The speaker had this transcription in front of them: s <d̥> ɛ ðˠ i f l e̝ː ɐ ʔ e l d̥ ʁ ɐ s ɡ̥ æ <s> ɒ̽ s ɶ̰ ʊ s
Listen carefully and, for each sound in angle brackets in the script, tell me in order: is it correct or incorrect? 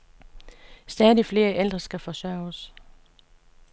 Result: correct, incorrect: f

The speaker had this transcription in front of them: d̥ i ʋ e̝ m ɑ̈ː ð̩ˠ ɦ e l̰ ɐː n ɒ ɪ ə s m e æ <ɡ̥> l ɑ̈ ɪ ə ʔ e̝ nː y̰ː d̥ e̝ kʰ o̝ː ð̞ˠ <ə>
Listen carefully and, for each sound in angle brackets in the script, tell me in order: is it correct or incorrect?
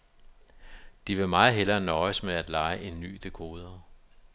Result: incorrect: d̥, incorrect: ɐ

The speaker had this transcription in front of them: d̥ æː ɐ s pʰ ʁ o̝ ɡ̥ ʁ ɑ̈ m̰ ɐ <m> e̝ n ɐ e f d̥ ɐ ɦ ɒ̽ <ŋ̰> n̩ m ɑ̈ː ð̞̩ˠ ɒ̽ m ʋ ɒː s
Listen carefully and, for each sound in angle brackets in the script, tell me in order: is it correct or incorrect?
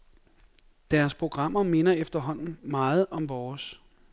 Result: correct, incorrect: n̰

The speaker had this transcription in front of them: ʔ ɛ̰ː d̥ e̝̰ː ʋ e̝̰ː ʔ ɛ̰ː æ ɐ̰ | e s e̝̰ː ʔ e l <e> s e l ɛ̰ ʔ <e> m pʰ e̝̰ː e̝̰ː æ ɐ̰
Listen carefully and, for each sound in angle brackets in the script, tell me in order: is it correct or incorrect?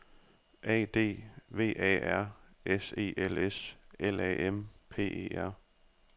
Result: correct, correct

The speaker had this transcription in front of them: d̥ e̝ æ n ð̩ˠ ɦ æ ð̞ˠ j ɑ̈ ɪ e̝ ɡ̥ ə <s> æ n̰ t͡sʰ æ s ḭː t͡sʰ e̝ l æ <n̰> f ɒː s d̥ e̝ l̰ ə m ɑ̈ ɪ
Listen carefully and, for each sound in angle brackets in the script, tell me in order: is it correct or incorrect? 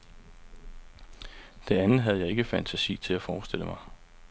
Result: incorrect: f, incorrect: none

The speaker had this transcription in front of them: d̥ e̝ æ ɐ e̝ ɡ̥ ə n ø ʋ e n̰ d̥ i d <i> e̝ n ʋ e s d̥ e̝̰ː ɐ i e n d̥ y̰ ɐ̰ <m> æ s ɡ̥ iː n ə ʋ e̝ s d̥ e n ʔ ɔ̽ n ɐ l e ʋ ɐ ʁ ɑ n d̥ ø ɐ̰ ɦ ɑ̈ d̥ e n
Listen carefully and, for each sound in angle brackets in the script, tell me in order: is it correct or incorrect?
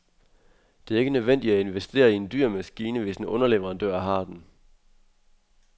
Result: incorrect: æ, correct

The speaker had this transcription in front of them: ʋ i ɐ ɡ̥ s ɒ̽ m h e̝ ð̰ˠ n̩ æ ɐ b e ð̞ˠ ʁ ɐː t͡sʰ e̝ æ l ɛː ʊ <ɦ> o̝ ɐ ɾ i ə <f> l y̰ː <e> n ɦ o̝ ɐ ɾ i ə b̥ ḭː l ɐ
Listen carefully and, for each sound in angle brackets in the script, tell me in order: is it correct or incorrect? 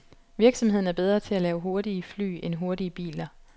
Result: correct, correct, correct

